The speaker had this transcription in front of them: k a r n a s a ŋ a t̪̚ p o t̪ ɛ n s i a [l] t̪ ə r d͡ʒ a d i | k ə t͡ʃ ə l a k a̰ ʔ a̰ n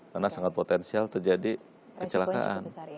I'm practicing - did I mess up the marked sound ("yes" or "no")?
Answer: no